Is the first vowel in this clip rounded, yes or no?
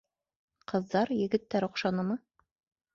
no